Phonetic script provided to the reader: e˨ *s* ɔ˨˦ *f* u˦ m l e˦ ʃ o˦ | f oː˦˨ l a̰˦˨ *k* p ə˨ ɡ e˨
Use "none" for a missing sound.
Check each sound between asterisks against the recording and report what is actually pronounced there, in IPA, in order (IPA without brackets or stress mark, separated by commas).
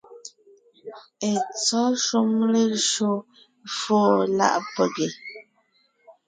t͡s, ʃ, ʔ